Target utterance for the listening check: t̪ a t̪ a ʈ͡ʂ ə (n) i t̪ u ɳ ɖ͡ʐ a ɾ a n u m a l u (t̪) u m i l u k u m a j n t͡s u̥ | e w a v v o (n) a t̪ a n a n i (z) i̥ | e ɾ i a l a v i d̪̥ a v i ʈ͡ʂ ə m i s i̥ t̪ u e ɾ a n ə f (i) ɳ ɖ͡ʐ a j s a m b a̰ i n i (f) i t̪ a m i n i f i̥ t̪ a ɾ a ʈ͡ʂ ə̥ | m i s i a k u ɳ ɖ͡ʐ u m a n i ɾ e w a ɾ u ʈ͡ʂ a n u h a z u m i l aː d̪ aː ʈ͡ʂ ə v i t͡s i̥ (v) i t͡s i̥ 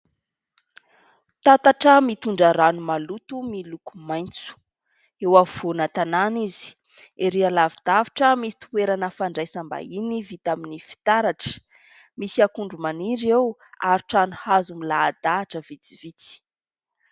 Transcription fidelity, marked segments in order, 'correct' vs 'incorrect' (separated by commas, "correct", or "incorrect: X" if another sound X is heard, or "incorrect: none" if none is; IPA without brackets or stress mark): incorrect: m, correct, correct, correct, incorrect: a, incorrect: v, correct